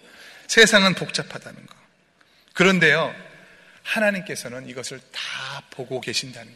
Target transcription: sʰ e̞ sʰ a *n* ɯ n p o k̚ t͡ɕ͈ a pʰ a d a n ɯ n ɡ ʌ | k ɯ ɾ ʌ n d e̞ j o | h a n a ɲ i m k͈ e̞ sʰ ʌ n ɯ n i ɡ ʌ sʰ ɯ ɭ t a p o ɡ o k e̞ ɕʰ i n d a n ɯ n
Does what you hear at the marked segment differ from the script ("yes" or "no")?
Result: yes